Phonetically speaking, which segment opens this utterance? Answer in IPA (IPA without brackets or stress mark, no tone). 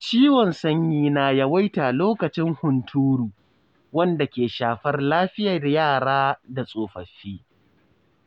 t͡ʃ